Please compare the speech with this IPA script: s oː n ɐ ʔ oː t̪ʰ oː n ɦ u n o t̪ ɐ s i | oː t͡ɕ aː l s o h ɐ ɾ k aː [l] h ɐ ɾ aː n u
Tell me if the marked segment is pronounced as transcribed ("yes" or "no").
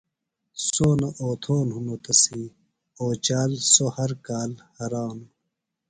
yes